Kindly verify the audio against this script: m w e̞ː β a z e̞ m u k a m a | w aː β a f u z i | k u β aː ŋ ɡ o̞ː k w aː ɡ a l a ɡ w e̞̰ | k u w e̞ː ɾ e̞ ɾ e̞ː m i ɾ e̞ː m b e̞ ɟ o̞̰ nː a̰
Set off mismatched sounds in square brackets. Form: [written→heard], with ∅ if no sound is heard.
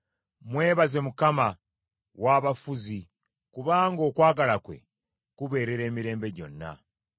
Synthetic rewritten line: m w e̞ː β a z e̞ m u k a m a | w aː β a f u z i | k u β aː ŋ ɡ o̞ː k w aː ɡ a l a [ɡ→k] w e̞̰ | k u [w→β] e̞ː ɾ e̞ ɾ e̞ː m i ɾ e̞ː m b e̞ ɟ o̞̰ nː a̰